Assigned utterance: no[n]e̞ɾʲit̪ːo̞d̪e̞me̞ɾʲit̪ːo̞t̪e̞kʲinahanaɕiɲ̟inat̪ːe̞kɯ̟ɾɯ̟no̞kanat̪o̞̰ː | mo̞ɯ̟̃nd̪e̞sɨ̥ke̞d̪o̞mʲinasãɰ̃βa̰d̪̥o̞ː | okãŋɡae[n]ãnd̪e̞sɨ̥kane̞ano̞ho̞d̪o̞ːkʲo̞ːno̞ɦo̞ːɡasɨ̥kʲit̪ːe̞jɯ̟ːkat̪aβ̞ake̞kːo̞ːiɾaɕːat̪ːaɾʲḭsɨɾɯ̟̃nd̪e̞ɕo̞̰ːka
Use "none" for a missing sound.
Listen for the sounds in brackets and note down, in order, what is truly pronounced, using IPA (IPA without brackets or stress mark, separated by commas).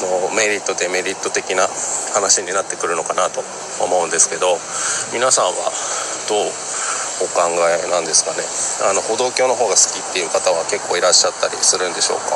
m, n